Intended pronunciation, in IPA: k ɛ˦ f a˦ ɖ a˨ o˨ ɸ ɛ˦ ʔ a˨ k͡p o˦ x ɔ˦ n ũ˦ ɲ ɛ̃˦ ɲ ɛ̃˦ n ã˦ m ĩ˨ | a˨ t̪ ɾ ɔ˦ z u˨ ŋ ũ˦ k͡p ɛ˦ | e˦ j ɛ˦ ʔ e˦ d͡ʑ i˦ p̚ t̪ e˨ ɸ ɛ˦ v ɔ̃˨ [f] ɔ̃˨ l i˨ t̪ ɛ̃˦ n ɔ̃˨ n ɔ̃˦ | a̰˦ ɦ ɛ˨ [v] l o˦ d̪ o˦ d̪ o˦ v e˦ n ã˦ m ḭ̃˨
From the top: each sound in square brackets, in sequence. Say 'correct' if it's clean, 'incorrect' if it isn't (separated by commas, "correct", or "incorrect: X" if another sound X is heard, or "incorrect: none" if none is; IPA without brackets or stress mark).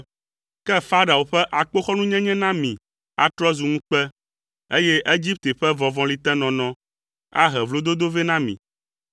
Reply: incorrect: v, correct